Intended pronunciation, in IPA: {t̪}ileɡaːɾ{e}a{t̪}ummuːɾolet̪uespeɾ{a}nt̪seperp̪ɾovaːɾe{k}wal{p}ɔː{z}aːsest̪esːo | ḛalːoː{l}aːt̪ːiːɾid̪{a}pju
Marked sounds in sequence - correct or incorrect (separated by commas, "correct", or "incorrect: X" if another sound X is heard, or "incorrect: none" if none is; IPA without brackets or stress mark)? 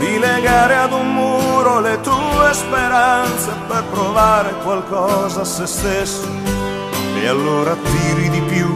incorrect: d̪, correct, incorrect: d̪, correct, correct, incorrect: k, correct, incorrect: ɾ, incorrect: i